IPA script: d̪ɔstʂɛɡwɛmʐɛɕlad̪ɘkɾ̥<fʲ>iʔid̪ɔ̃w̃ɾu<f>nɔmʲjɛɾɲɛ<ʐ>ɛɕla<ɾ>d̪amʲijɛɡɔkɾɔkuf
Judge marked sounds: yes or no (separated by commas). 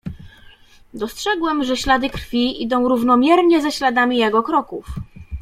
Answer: yes, no, no, no